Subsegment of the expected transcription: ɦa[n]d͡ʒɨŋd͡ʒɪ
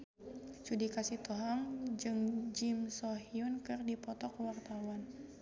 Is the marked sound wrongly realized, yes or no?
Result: yes